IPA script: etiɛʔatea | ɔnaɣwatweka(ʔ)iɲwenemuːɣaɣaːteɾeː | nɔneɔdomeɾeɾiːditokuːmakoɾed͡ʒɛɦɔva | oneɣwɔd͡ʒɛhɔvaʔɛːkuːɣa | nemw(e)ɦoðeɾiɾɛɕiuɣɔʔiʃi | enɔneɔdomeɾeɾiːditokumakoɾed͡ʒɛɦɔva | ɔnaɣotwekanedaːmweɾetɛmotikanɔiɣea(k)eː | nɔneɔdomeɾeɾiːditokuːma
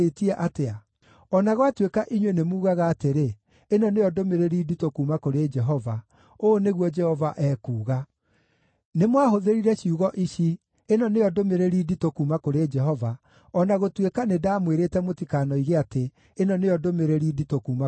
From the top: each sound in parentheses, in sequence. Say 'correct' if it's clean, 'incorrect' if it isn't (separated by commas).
correct, incorrect, incorrect